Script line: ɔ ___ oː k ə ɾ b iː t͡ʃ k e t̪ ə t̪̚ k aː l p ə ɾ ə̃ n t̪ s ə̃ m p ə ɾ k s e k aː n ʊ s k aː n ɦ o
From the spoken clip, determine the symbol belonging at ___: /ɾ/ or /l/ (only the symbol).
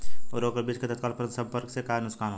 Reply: ɾ